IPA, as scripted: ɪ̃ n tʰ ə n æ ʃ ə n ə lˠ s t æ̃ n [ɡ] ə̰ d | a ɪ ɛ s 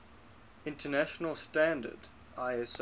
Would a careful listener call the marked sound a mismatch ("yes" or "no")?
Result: yes